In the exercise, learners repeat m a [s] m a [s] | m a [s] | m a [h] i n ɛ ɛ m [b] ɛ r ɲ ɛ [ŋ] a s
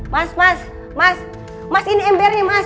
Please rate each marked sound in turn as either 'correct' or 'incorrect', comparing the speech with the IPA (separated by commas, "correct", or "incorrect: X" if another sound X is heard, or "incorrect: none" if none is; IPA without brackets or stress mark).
correct, correct, correct, incorrect: s, correct, incorrect: m